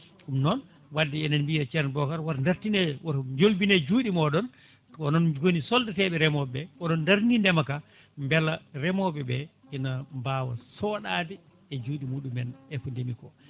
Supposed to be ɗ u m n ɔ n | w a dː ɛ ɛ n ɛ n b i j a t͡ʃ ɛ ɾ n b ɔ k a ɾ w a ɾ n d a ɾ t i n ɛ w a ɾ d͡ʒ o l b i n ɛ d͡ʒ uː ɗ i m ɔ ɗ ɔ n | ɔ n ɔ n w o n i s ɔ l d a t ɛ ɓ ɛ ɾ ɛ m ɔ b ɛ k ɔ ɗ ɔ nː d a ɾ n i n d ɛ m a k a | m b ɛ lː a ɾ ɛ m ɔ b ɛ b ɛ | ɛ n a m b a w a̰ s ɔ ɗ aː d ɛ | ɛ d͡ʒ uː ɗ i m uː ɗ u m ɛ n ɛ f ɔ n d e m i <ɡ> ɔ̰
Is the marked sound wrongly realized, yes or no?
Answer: yes